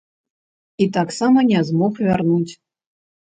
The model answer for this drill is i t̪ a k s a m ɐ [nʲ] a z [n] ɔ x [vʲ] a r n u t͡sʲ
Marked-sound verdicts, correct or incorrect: correct, incorrect, correct

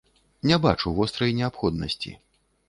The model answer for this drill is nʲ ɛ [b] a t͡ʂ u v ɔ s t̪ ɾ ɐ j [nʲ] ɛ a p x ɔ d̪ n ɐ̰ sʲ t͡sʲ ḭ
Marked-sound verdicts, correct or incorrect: correct, correct

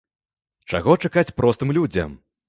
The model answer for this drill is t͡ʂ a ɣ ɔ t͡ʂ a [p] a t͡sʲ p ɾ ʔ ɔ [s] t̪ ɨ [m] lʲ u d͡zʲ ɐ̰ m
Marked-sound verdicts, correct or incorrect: incorrect, correct, correct

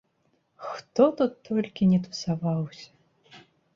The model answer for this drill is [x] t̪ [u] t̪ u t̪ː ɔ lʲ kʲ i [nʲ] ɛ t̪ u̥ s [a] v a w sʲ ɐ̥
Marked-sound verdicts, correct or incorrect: correct, incorrect, correct, correct

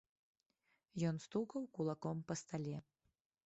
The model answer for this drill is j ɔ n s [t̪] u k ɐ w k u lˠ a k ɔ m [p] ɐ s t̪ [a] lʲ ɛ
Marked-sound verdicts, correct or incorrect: correct, correct, correct

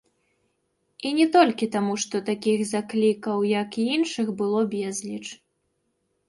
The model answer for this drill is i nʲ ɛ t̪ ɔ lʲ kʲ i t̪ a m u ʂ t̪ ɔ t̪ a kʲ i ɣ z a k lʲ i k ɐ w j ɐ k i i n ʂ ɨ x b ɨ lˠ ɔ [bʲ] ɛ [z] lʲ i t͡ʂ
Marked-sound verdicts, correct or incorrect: correct, correct

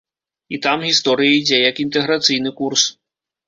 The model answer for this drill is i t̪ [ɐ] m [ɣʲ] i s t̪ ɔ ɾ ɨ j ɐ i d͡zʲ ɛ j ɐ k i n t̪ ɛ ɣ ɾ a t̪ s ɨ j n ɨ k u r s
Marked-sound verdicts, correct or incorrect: incorrect, correct

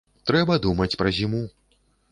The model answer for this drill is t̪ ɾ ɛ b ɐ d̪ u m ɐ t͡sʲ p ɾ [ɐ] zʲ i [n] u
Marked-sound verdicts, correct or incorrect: correct, incorrect

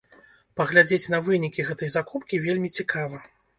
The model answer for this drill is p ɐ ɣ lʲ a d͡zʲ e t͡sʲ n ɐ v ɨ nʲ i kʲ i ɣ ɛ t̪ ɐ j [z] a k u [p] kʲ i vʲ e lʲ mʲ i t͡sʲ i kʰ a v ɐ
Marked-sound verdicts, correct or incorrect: correct, correct

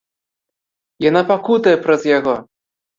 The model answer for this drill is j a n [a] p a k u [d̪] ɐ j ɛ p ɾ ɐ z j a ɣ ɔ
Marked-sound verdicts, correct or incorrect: correct, incorrect

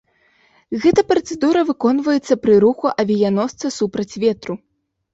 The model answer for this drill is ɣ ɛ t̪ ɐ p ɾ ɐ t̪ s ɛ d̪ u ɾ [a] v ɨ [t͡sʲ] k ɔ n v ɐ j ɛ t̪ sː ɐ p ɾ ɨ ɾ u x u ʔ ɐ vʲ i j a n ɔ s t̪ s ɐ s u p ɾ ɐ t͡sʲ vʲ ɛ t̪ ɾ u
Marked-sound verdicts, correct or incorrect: incorrect, incorrect

